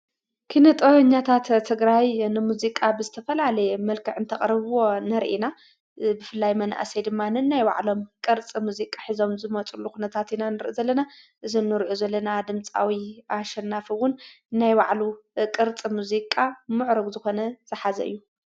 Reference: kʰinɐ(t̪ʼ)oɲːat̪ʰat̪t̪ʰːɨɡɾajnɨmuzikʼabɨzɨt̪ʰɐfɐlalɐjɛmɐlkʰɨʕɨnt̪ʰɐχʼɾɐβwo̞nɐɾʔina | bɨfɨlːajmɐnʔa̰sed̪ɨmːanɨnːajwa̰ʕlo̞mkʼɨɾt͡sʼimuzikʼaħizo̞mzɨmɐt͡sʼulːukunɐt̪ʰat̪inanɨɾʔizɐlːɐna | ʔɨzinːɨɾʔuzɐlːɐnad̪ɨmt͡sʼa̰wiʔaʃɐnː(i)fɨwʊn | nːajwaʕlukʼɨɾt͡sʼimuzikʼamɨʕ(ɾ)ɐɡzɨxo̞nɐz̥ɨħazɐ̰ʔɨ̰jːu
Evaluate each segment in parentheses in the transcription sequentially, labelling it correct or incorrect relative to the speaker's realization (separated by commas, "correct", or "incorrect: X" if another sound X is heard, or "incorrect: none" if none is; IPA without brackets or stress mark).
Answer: correct, incorrect: a, correct